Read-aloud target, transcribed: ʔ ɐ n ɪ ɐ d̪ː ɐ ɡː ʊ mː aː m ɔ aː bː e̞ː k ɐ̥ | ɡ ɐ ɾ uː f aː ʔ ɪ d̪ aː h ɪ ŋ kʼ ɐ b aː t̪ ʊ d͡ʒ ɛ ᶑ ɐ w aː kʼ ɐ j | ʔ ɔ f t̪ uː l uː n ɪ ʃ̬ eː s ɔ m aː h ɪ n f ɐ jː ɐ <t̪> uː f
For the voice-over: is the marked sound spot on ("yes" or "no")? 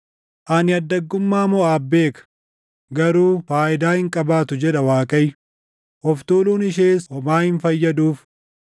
no